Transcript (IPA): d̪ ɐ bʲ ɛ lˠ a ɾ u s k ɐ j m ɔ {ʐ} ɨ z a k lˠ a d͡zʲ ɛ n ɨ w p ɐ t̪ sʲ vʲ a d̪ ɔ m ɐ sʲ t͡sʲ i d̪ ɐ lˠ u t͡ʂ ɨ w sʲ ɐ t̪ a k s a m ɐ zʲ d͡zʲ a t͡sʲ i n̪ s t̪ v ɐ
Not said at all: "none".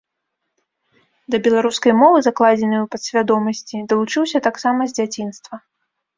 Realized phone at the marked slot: v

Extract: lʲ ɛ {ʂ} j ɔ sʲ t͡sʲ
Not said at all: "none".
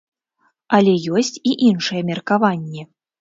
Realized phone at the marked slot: none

